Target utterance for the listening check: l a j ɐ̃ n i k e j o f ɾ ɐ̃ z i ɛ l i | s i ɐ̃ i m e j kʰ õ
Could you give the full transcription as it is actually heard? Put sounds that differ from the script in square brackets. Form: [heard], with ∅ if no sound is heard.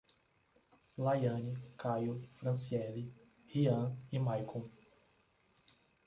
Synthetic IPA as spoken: l a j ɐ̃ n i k [a] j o f ɾ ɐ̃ [s] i ɛ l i | [h] i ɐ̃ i m [a] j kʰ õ